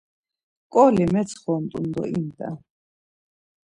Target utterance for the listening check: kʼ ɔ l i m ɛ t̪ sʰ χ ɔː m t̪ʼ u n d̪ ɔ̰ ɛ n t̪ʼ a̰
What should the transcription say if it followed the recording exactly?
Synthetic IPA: kʼ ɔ l i m ɛ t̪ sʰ χ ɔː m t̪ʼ u n d̪ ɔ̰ i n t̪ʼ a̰

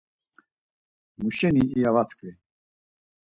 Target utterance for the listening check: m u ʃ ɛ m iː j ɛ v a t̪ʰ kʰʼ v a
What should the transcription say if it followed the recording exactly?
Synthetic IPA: m u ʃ ɛ n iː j a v a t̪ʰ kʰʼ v i

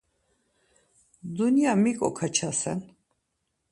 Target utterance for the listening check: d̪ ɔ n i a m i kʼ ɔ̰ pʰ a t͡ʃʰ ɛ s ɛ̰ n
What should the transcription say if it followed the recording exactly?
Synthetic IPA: d̪ u n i a m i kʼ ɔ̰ kʰ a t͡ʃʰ a s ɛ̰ n

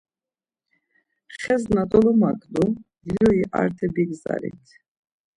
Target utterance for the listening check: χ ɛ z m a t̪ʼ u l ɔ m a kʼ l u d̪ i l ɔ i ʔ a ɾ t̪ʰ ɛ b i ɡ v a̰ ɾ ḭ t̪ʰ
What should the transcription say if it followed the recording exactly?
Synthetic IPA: χ ɛ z n a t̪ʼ ɔ l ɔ m a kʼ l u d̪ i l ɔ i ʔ a ɾ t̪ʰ ɛ b i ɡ z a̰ ɾ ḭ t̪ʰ

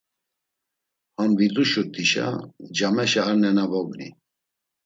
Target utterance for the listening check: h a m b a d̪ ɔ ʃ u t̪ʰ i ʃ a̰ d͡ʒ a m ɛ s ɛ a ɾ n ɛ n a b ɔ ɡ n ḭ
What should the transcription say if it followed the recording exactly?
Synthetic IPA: h a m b i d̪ u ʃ u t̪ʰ i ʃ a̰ d͡ʒ a m ɛ ʃ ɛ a ɾ n ɛ n a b ɔ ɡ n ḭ

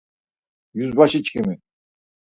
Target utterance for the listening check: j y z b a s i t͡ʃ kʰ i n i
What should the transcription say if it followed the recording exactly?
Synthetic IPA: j y z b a ʃ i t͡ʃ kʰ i m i

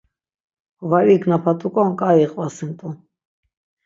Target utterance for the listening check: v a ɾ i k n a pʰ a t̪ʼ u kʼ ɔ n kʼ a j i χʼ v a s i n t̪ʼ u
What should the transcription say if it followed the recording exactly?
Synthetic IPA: v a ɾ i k n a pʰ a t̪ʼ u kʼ ɔ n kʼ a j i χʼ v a s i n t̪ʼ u

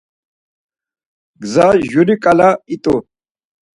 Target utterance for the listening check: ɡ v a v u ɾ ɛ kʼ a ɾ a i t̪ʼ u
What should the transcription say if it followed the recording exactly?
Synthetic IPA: ɡ z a ʒ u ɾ i kʼ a l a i t̪ʼ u

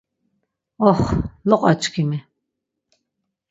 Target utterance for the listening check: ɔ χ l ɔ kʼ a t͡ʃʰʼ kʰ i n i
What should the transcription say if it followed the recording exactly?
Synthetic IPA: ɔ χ l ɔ qʼ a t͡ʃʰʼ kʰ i m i

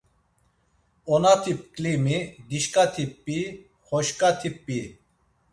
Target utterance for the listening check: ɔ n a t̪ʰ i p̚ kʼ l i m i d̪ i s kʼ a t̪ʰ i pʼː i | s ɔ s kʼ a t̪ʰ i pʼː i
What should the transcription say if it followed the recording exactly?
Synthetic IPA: ɔ n a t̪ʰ i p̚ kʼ l i m i d̪ i ʃ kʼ a t̪ʰ i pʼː i | χ ɔ ʃ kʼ a t̪ʰ i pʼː i

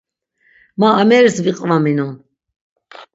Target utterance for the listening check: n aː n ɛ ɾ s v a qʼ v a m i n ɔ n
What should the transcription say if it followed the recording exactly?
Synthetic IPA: m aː m ɛ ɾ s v i qʼ v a m i n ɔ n

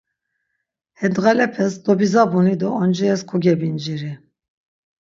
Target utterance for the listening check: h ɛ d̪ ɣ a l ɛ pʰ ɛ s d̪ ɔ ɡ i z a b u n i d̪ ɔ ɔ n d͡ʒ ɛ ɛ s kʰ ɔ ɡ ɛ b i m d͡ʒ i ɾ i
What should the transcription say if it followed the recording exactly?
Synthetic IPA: h ɛ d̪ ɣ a l ɛ pʰ ɛ s d̪ ɔ b i z a b u n i d̪ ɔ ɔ n d͡ʒ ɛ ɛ s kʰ ɔ ɡ ɛ b i n d͡ʒ i ɾ i

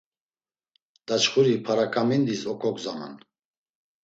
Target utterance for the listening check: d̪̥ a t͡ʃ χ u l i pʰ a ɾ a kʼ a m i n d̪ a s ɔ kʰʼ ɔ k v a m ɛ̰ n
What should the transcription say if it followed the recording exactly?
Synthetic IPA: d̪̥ a t͡ʃ χ u ɾ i pʰ a ɾ a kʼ a m i n d̪ i s ɔ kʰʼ ɔ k z a m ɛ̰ n

